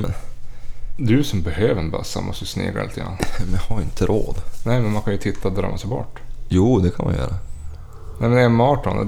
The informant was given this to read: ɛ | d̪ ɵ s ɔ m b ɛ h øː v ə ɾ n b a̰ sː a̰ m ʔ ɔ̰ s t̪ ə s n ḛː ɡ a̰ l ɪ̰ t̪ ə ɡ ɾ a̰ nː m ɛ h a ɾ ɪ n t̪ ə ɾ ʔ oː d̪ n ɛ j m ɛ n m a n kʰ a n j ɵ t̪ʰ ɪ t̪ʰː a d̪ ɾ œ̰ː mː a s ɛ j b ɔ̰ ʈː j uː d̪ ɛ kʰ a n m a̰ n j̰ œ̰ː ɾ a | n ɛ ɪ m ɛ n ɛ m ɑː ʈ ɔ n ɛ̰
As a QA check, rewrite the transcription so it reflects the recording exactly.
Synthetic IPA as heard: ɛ | d̪ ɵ s ɔ m b ɛ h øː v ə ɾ n b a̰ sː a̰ m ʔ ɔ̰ s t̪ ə s n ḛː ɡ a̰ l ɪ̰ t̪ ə ɡ ɾ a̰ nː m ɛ h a ɾ ɪ n t̪ ə ɾ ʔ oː d̪ n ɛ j m ɛ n m a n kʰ a n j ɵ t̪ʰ ɪ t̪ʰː a d̪ ɾ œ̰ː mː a s ɛ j b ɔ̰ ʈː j uː d̪ ɛ kʰ a n m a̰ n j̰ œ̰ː ɾ a | n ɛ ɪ m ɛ n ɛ m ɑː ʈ ɔ n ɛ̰